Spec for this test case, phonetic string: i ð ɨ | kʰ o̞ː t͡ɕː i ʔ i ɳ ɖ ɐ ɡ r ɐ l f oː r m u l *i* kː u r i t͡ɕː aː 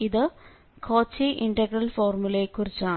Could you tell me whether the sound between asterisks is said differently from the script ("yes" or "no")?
yes